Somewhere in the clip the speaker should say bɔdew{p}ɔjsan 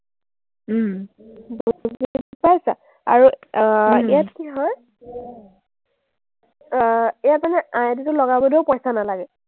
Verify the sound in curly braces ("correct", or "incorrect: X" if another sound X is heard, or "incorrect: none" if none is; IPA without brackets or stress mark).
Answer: correct